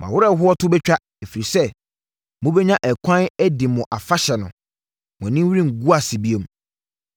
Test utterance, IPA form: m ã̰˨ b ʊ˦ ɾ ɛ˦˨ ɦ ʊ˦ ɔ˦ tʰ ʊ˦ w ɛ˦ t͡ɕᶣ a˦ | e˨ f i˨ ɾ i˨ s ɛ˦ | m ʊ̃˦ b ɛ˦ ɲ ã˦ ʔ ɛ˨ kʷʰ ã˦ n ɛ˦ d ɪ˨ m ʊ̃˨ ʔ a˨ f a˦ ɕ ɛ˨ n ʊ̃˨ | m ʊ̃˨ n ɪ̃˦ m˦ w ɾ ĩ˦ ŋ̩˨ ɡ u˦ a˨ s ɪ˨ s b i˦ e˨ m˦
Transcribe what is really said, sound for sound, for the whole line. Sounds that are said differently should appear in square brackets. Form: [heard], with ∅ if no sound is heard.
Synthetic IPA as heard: m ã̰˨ [w] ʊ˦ ɾ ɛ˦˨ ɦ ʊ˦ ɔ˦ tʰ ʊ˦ [b] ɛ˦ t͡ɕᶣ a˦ | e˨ f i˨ ɾ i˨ s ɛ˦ | m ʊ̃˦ b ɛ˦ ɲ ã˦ ʔ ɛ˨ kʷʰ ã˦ n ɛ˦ d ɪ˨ m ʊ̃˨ ʔ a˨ f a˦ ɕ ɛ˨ n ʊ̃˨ | m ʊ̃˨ n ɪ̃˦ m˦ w ɾ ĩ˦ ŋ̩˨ ɡ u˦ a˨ s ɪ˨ [∅] b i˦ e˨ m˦